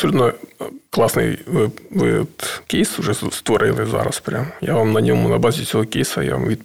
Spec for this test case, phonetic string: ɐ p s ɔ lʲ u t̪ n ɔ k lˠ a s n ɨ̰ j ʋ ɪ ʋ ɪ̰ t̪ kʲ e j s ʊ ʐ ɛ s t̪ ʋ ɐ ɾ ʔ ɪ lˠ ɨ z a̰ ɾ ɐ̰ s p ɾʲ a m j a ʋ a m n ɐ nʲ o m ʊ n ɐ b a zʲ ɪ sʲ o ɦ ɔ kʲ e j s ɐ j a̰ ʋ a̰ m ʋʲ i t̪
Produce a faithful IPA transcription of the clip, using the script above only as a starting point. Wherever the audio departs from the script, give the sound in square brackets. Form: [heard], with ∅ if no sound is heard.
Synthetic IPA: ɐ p s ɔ lʲ u t̪ n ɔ k lˠ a s n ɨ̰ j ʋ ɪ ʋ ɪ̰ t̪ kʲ e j s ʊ ʐ ɛ s t̪ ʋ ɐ ɾ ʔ ɪ lˠ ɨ z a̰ ɾ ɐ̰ s p ɾʲ a m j a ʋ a m n ɐ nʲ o m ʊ n ɐ b a zʲ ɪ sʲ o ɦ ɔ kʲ e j s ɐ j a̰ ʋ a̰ m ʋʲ i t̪